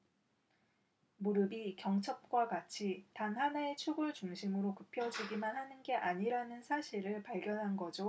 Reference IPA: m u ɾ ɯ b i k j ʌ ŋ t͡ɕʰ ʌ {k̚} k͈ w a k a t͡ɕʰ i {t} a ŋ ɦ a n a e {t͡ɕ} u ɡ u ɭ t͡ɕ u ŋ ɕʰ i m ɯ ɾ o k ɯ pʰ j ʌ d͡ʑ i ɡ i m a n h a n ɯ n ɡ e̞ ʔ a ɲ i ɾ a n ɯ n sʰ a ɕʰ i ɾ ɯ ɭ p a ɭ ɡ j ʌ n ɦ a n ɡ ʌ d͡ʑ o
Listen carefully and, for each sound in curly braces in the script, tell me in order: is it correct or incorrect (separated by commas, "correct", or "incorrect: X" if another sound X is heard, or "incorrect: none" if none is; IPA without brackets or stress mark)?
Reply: incorrect: p̚, correct, incorrect: t͡ɕʰ